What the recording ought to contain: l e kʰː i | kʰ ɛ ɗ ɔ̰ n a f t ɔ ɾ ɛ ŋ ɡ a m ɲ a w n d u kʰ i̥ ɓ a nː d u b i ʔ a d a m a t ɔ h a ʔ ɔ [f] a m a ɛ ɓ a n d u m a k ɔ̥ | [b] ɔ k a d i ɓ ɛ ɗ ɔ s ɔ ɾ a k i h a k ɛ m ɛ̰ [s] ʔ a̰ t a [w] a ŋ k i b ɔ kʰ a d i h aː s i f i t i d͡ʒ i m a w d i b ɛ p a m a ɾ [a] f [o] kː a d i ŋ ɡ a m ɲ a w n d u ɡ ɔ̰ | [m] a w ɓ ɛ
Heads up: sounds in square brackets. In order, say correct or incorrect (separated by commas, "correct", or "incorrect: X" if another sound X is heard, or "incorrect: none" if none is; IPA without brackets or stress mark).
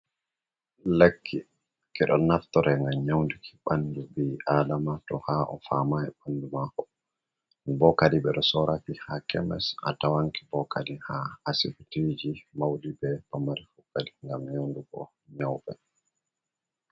correct, correct, correct, correct, incorrect: i, incorrect: u, incorrect: ɲ